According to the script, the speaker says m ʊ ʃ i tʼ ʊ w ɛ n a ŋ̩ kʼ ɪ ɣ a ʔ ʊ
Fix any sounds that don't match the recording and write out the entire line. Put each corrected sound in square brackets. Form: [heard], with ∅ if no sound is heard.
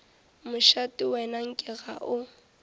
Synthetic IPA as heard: m ʊ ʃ [a] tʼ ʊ w ɛ n a ŋ̩ kʼ ɪ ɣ a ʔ ʊ